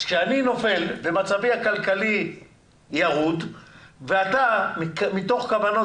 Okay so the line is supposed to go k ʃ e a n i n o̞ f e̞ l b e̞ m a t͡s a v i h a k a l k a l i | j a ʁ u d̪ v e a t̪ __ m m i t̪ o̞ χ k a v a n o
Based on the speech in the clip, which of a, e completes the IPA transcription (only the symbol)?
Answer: a